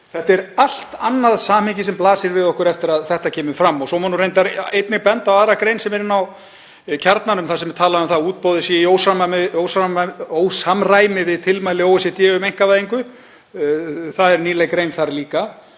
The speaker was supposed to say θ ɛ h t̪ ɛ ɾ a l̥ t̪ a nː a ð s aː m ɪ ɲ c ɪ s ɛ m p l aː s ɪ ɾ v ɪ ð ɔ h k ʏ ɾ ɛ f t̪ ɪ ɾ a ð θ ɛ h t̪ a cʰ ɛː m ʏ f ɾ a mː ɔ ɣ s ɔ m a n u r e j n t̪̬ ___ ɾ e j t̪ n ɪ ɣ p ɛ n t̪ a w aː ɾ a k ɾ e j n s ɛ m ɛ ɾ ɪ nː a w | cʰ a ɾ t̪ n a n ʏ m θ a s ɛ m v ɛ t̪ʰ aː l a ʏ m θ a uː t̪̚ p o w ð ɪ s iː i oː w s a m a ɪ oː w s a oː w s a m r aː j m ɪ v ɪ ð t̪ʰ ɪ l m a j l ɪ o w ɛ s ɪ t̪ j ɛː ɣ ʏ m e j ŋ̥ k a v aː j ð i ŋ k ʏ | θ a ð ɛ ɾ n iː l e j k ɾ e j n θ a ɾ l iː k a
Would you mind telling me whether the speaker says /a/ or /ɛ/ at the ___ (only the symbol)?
a